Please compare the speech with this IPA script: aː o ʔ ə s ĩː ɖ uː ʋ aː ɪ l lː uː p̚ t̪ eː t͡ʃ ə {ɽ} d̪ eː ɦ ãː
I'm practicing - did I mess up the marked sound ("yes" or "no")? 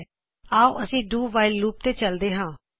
yes